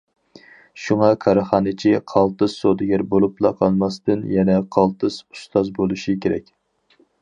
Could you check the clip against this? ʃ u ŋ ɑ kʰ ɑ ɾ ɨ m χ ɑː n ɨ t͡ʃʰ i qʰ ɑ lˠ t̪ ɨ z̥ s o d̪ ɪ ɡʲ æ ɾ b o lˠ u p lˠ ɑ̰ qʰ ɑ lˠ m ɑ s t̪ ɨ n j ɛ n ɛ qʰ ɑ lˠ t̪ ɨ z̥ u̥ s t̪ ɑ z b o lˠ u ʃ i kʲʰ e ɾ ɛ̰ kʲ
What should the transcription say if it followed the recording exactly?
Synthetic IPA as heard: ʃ u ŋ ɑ kʰ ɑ ɾ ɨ χ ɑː n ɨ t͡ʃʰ i qʰ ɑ lˠ t̪ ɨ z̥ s o d̪ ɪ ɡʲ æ ɾ b o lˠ u p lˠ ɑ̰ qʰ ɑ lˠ m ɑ s t̪ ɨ n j ɛ n ɛ qʰ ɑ lˠ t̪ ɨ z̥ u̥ s t̪ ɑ z b o lˠ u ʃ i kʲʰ e ɾ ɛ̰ kʲ